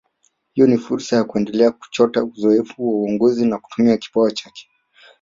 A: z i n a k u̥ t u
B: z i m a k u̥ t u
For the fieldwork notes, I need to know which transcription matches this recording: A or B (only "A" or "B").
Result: A